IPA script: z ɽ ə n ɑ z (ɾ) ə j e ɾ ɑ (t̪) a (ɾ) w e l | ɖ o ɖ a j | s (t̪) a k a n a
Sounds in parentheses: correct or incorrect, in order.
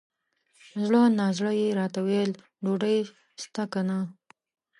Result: incorrect, correct, incorrect, correct

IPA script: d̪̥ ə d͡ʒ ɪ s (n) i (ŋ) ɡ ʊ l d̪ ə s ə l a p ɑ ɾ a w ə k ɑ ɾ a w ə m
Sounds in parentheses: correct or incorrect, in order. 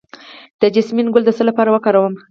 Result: incorrect, incorrect

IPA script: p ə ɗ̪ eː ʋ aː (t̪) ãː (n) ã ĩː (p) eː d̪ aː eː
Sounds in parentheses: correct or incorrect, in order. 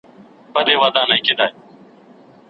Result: incorrect, correct, incorrect

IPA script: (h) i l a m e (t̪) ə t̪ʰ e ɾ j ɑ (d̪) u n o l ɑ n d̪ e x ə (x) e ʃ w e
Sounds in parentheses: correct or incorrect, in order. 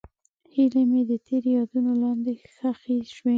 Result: correct, incorrect, correct, correct

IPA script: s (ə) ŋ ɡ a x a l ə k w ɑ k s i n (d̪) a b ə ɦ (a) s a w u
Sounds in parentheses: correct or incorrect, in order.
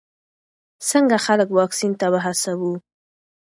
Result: correct, incorrect, correct

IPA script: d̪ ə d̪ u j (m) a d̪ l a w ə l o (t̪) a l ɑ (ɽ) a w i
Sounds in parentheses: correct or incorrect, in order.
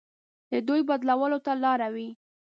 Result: incorrect, correct, incorrect

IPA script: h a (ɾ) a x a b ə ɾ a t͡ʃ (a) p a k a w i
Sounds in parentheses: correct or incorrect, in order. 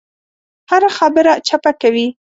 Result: correct, correct

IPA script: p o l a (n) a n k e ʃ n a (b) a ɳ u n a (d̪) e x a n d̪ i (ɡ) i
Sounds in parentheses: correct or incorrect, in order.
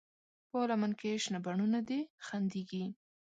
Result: incorrect, correct, correct, correct

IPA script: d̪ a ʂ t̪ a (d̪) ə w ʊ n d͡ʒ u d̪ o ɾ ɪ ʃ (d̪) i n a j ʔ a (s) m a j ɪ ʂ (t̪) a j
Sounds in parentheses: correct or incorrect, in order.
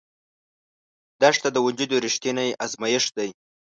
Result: correct, incorrect, incorrect, incorrect

